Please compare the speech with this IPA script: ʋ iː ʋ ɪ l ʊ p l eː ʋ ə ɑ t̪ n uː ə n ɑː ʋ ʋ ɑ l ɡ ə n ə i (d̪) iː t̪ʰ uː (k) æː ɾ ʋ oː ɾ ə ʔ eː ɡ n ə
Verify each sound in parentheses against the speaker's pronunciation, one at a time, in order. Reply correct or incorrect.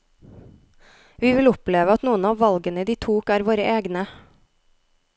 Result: correct, correct

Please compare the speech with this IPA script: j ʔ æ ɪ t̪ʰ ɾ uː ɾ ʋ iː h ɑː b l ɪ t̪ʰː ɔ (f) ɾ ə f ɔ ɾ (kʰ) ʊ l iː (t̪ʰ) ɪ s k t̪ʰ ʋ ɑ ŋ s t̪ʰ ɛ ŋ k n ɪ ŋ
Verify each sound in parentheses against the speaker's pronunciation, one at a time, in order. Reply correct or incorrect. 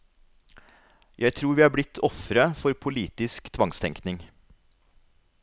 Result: correct, incorrect: pʰ, incorrect: t̪

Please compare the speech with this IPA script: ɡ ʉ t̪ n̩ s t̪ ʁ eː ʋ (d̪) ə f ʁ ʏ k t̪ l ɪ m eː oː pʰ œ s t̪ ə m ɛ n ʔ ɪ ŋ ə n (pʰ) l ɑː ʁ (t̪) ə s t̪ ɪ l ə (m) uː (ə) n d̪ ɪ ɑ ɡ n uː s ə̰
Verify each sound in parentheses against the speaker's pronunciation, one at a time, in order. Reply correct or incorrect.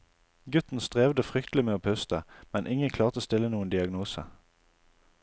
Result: correct, incorrect: kʰ, correct, incorrect: n, correct

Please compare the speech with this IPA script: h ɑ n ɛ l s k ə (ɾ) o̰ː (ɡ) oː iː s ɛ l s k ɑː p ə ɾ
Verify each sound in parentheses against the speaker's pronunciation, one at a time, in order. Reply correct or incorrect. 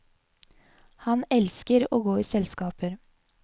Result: correct, correct

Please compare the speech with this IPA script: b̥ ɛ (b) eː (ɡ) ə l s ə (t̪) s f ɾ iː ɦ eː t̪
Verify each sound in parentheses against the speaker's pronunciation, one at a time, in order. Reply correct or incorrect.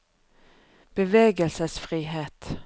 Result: incorrect: v, correct, incorrect: none

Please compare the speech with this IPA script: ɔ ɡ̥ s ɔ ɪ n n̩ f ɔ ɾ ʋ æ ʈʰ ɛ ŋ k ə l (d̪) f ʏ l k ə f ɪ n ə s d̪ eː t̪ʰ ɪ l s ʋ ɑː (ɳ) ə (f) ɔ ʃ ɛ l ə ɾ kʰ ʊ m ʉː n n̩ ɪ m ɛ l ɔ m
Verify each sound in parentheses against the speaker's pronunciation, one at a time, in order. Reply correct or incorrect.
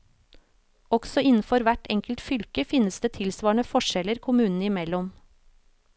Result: incorrect: t̪, correct, correct

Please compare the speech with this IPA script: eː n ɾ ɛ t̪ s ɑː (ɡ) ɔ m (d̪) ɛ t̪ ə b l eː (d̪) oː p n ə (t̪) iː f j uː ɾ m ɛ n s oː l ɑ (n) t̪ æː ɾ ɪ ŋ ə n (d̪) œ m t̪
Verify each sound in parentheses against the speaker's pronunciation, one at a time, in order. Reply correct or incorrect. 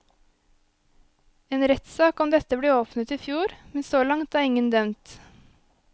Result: incorrect: k, correct, incorrect: none, correct, incorrect: ŋ, correct

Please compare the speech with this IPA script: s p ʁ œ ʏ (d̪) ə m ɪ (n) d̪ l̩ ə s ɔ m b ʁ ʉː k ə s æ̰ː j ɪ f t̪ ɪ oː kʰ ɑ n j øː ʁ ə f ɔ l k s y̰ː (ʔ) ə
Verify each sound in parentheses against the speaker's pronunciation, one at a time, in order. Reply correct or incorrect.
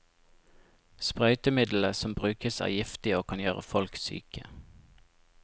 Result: incorrect: t̪, incorrect: none, incorrect: k

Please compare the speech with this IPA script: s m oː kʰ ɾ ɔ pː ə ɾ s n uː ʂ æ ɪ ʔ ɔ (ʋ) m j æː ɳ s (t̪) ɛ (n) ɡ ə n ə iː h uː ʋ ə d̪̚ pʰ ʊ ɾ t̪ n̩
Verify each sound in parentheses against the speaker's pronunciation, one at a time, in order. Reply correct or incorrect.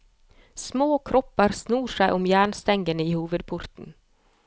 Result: incorrect: none, correct, incorrect: ŋ

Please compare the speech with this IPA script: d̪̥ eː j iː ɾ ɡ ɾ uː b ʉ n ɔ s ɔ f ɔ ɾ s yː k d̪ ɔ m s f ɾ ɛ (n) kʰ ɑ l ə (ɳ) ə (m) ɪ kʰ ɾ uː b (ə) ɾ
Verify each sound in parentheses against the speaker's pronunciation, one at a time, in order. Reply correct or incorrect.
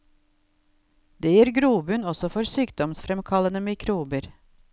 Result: incorrect: m, incorrect: n, correct, correct

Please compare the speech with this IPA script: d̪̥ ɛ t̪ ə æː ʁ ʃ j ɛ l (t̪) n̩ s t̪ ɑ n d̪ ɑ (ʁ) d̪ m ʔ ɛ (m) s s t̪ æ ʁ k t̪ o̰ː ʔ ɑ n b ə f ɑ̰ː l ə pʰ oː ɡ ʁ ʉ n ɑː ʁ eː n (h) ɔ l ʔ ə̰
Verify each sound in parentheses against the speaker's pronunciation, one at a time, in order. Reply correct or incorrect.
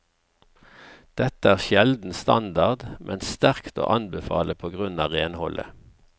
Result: incorrect: d̪, correct, incorrect: n, correct

